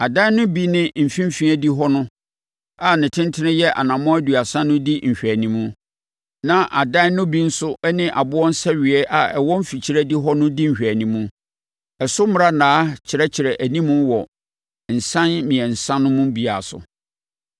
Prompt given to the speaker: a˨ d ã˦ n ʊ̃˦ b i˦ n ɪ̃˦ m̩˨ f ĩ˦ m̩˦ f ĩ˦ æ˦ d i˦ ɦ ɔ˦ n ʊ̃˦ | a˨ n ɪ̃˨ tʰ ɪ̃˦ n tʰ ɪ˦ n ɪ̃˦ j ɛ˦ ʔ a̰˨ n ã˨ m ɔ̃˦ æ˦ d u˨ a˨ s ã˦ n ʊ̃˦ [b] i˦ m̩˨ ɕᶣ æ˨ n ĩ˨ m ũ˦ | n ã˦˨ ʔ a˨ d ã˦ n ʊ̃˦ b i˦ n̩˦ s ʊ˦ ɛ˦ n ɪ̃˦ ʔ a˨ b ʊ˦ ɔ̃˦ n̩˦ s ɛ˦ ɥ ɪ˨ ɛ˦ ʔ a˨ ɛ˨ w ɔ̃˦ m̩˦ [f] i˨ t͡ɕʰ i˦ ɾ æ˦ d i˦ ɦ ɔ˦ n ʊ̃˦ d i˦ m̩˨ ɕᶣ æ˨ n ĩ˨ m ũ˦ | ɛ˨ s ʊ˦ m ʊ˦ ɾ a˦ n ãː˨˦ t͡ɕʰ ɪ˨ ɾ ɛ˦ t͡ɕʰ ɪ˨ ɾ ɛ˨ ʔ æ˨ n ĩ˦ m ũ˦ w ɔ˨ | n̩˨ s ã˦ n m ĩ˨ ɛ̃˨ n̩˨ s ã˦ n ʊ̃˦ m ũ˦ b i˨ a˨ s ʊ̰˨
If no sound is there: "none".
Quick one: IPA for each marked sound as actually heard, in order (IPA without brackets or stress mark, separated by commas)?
d, f